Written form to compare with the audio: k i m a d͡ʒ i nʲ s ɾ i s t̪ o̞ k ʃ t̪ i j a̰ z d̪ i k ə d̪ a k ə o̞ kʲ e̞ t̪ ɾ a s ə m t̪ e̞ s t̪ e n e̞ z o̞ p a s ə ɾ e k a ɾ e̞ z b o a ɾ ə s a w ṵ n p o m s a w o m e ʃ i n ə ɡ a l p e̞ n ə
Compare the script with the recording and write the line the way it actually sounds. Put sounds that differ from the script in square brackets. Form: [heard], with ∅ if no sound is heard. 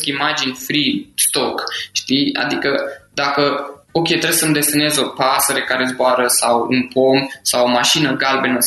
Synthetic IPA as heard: k i m a d͡ʒ i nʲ [f] ɾ i s t̪ o̞ k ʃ t̪ i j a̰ [∅] d̪ i k ə d̪ a k ə o̞ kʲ e̞ t̪ ɾ [e] s ə m [d̪] e̞ s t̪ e n e̞ z o̞ p a s ə ɾ e k a ɾ e̞ z b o a ɾ ə s a w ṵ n p o m s a w o m [a] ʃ i n ə ɡ a l [b] e̞ n ə